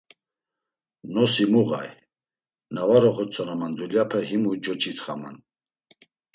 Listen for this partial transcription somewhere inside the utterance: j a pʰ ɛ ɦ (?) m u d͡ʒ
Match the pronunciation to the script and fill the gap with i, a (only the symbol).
i